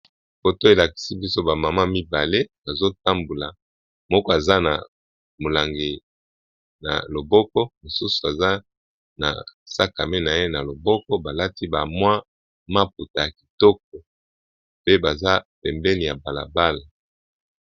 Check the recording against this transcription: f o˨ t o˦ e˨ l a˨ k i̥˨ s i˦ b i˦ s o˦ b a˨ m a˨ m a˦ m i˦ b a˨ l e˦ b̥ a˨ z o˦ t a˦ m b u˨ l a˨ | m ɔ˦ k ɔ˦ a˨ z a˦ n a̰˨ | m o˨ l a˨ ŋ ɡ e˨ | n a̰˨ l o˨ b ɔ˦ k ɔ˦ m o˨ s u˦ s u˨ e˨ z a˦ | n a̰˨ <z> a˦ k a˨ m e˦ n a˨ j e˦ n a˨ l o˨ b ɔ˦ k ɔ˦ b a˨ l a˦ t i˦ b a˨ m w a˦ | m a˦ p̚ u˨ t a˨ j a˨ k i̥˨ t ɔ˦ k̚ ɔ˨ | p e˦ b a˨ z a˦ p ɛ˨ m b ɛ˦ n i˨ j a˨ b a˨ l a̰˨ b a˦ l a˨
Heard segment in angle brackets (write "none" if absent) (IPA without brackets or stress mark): s